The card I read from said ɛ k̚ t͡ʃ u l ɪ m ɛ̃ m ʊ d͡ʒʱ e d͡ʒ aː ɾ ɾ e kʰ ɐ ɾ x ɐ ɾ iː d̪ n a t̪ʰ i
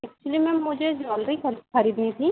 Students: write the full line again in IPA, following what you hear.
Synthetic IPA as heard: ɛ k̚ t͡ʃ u l i m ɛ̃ m ʊ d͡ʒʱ e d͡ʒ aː l ɾ i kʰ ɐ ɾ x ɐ ɾ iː d̪ n i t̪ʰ i